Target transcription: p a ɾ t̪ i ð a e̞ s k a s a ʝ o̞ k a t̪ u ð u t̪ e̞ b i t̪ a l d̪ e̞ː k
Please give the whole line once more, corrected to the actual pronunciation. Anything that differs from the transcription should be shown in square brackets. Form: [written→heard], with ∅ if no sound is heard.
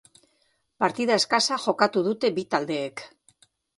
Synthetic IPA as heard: p a ɾ t̪ i ð a e̞ s k a s a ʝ o̞ k a t̪ u ð u t̪ e̞ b i t̪ a l d̪ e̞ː k